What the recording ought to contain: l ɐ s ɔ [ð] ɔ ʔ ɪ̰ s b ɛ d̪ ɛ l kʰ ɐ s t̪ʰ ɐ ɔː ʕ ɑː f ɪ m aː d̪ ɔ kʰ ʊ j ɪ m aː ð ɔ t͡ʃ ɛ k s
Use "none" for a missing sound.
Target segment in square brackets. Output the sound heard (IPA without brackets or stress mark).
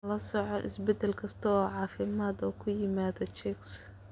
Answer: ʕ